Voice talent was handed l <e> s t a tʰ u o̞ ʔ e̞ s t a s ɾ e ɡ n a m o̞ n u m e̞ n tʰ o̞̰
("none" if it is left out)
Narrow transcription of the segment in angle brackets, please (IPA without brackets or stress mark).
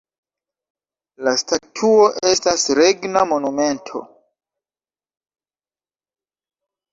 a